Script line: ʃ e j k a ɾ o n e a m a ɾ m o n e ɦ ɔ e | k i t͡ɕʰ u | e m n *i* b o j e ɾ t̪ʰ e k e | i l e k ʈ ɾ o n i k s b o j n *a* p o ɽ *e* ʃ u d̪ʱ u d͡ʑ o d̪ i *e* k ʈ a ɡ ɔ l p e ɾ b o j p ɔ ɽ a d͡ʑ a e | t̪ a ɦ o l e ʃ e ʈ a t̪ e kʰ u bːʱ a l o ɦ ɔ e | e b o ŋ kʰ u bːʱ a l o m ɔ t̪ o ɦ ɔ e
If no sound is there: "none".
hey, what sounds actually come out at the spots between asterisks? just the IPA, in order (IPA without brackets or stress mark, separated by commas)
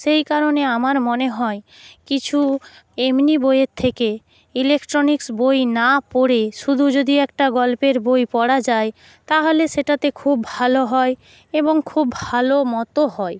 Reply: i, a, e, ɛ